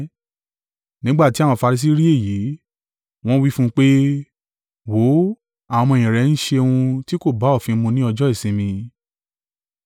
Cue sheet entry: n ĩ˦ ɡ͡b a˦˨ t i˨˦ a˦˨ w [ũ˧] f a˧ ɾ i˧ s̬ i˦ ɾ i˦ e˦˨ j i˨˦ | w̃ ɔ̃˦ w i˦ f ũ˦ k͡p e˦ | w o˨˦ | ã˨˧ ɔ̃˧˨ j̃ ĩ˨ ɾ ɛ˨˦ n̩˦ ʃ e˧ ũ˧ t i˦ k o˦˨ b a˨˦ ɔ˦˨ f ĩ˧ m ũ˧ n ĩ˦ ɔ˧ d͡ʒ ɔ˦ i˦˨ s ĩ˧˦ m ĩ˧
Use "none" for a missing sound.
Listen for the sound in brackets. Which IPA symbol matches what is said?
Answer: ɔ̃˧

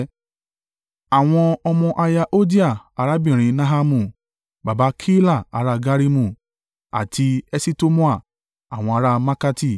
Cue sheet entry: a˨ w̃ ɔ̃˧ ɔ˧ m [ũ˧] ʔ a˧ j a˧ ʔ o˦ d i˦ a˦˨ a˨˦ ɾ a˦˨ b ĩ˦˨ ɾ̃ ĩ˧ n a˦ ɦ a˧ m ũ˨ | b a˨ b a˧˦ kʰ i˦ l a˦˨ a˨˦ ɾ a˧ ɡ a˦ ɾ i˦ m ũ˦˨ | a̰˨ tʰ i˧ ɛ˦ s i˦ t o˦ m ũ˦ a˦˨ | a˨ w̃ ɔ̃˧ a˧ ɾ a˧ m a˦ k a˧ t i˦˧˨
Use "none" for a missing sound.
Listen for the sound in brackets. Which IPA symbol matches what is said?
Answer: ɔ̃˧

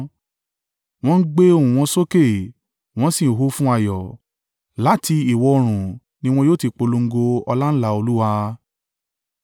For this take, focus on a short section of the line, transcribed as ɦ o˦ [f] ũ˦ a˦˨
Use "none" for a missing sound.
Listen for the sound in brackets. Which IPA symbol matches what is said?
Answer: f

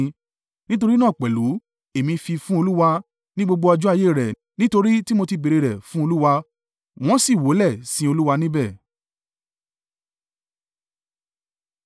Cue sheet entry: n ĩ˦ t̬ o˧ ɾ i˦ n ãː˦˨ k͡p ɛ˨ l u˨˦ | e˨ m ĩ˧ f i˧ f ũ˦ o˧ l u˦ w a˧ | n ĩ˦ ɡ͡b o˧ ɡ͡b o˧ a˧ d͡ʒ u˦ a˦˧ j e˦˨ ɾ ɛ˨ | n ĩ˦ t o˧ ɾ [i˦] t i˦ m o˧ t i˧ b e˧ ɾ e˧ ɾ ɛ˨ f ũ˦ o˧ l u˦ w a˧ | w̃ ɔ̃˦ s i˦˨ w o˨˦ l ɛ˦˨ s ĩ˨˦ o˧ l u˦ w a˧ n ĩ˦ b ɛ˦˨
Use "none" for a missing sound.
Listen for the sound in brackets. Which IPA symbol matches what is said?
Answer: i˦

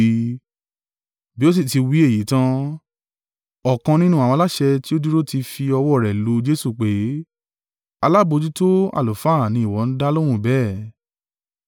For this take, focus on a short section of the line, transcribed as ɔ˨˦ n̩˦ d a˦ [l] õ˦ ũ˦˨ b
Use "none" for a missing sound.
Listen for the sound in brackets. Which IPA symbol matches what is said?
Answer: l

